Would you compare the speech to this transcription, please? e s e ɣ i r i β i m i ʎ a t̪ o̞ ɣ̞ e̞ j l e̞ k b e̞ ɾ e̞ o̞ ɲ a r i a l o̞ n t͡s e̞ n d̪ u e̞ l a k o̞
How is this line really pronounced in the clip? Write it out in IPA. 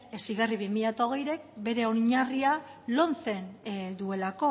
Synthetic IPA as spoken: e s i ɣ a r i β i m i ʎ a t̪ o̞ ɣ̞ e̞ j ɾ e̞ k b e̞ ɾ e̞ o̞ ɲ a r i a l o̞ n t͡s e̞ n d̪ u e̞ l a k o̞

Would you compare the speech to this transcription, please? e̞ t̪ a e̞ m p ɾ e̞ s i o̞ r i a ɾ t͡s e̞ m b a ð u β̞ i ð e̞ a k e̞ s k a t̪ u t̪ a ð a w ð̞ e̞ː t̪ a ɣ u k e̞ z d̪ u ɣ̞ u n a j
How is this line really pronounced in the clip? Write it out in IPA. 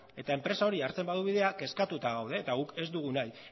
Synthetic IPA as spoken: e̞ t̪ a e̞ m p ɾ e̞ s a o̞ ɾ i a ɾ t͡s e̞ m b a ð u β̞ i ð e̞ a k e̞ s k a t̪ u t̪ a ɣ a w ð̞ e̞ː t̪ a ɣ u k e̞ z d̪ u ɣ̞ u n a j

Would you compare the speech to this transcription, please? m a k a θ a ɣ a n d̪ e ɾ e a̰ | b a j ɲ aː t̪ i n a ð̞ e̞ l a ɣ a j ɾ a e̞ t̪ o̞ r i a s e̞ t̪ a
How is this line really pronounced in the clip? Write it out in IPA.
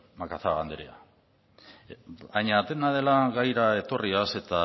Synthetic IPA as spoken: m a k a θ a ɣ a n d̪ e ɾ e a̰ | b a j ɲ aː t̪ e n a ð̞ e̞ l a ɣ a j ɾ a e̞ t̪ o̞ r i a s e̞ t̪ a

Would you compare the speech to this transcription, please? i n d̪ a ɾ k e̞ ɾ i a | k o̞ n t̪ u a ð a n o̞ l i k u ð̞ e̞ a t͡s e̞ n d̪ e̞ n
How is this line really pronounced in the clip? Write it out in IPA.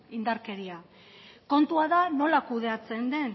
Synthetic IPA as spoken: i n d̪ a ɾ k e̞ ɾ i a | k o̞ n t̪ u a ð a n o̞ l a k u ð̞ e̞ a t͡s e̞ n d̪ e̞ n

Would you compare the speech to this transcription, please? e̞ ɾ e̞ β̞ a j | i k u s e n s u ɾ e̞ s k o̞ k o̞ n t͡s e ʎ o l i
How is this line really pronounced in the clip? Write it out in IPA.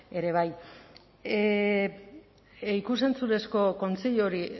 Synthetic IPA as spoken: e̞ ɾ e̞ β̞ a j | i k u s e n t͡s u ɾ e̞ s k o̞ k o̞ n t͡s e ʎ o ɾ i

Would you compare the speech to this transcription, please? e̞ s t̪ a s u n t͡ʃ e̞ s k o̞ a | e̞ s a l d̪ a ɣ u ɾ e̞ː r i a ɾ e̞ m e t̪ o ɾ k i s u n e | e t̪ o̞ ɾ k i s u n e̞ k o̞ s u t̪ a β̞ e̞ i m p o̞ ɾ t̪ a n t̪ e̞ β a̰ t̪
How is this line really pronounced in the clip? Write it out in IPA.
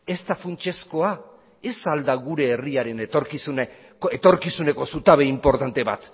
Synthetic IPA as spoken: e̞ s t̪ a f u n t͡ʃ e̞ s k o̞ a | e̞ s a l d̪ a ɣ u ɾ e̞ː r i a ɾ e̞ n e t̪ o ɾ k i s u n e | e t̪ o̞ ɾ k i s u n e̞ k o̞ s u t̪ a β̞ e̞ i m p o̞ ɾ t̪ a n t̪ e̞ β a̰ t̪

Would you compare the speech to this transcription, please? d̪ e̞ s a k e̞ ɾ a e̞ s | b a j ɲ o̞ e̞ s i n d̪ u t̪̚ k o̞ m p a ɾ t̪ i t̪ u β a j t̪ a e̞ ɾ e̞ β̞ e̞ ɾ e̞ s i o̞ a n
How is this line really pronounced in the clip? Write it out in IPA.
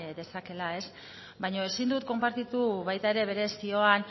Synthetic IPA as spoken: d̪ e̞ s a k e̞ l a e̞ s | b a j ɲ o̞ e̞ s i n d̪ u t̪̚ k o̞ m p a ɾ t̪ i t̪ u β a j t̪ a e̞ ɾ e̞ β̞ e̞ ɾ e̞ s i o̞ a n

